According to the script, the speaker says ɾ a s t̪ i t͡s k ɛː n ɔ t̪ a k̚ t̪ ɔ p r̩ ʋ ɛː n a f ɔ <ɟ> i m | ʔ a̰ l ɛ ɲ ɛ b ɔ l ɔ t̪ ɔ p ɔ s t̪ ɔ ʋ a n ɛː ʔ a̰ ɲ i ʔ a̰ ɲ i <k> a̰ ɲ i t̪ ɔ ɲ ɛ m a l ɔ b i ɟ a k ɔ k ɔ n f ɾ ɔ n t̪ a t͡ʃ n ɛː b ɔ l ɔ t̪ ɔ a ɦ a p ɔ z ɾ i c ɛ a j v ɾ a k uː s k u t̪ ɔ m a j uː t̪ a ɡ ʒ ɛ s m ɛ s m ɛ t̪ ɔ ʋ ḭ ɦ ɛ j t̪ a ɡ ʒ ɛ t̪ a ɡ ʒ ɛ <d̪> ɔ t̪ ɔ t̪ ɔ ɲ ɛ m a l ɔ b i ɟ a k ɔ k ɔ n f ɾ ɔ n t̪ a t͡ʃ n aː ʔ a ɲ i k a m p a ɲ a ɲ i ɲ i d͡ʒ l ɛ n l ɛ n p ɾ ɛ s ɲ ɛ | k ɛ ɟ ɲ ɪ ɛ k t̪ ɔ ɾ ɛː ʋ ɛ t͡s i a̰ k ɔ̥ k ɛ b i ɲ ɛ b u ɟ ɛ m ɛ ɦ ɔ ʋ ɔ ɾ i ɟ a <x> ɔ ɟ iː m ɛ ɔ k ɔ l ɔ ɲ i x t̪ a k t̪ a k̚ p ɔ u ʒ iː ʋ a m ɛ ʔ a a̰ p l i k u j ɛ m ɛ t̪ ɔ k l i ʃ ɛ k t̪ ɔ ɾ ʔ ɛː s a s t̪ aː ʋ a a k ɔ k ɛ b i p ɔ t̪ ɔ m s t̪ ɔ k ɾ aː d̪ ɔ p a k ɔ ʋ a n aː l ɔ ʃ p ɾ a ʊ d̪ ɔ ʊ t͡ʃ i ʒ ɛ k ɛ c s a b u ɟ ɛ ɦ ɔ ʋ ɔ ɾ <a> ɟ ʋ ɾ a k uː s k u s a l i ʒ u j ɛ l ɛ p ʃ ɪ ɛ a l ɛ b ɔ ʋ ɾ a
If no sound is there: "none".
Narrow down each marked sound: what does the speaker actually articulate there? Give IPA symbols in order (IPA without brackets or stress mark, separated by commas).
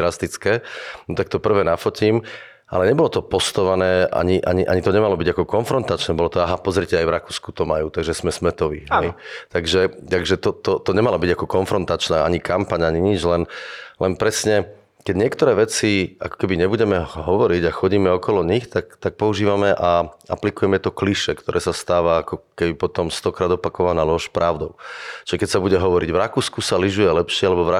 c, ʔ, t̪, x, i